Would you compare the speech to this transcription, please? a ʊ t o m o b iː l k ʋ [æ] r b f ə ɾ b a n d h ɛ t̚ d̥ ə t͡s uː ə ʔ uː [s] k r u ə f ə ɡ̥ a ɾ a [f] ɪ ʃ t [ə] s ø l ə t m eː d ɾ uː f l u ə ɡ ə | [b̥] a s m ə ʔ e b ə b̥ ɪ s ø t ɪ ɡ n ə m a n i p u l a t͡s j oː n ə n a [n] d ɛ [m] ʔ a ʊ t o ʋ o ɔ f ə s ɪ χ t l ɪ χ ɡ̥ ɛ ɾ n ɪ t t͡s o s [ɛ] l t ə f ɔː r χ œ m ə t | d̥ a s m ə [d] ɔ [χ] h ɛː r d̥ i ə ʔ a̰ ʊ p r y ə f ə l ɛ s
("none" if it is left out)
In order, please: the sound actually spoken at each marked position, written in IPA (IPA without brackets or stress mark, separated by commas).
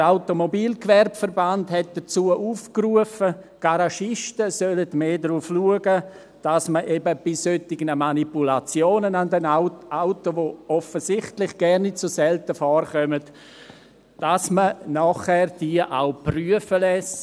ɛ, f, ʃ, ə, d̥, n, n, ɛ, n, χ